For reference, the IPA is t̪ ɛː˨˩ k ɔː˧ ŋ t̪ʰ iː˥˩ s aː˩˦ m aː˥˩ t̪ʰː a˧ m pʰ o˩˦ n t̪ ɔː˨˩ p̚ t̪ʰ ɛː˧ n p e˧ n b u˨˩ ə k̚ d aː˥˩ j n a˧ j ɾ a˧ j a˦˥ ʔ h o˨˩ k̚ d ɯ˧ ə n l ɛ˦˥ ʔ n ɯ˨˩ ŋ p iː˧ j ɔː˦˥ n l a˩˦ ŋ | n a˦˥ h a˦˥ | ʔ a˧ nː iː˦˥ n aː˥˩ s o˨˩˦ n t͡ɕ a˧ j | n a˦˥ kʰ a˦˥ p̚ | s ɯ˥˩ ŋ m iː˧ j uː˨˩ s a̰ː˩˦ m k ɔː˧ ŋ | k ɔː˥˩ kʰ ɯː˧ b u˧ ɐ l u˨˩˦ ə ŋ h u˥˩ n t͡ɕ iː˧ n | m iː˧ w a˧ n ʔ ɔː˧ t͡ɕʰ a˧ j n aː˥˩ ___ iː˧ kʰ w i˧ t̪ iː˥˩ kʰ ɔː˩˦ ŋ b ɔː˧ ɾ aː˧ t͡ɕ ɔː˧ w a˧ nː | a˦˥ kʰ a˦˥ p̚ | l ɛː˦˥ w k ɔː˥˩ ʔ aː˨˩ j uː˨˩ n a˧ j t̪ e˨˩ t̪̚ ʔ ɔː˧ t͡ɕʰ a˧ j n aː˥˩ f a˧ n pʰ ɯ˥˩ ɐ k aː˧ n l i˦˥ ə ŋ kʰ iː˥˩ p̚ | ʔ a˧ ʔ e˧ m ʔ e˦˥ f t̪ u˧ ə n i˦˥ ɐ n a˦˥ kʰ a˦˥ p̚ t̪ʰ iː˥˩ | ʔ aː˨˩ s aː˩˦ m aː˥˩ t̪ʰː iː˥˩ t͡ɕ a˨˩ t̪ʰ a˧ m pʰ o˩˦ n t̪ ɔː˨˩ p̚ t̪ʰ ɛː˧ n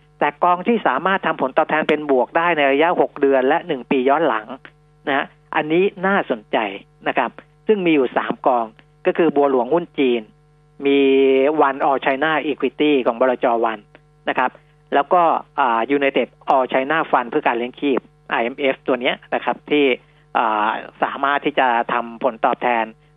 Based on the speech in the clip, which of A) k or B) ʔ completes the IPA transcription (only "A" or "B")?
B